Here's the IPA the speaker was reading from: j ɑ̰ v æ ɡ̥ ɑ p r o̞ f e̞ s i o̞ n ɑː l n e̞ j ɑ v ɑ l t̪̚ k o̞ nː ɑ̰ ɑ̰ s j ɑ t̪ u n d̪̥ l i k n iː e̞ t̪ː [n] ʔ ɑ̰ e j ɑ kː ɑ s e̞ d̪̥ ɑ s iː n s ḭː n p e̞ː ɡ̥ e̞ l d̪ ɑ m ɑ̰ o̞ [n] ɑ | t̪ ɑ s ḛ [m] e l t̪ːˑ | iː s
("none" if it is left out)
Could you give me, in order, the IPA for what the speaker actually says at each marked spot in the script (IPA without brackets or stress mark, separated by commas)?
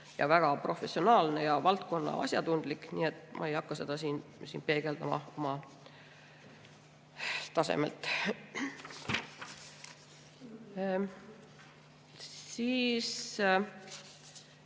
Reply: m, m, m